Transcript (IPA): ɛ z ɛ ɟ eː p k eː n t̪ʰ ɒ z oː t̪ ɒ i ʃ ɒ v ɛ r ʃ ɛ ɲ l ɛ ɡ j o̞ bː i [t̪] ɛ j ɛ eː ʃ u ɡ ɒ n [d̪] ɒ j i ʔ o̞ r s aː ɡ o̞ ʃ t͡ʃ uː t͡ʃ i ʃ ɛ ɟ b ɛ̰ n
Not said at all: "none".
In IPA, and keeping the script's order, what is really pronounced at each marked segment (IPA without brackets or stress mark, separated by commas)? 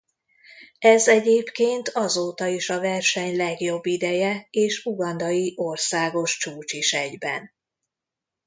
d̪, d̪